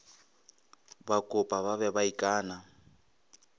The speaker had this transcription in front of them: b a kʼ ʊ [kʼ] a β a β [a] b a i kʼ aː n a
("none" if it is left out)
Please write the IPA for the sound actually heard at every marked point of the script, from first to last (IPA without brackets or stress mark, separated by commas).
pʼ, ɛ